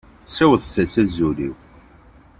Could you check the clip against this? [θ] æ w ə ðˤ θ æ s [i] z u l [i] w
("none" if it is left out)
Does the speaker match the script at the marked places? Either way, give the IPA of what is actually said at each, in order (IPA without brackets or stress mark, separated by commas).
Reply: s, æ, i